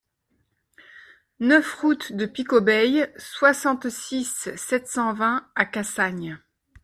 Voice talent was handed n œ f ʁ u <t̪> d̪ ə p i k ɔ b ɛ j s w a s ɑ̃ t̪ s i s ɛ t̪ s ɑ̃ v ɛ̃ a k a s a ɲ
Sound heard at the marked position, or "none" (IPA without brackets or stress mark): t̪